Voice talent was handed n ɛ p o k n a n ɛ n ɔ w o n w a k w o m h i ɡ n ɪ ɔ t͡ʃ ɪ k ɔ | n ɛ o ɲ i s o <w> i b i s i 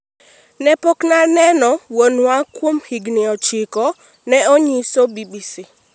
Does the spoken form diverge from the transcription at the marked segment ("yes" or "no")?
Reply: yes